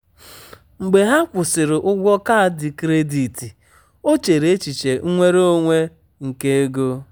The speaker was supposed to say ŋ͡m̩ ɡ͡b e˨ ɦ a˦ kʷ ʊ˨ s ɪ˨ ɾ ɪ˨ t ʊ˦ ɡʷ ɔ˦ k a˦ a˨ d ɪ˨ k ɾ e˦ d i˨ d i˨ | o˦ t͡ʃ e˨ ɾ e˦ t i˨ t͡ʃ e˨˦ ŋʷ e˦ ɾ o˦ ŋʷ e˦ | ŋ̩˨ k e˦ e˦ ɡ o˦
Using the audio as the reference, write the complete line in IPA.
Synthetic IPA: ŋ͡m̩ ɡ͡b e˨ ɦ a˦ kʷ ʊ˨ s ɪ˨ ɾ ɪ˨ ʔ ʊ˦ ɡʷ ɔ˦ k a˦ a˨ d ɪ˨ k ɾ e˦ d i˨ t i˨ | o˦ t͡ʃ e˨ ɾ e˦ t͡ʃ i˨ t͡ʃ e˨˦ ŋʷ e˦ ɾ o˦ ŋʷ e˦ | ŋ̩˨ k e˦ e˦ ɡ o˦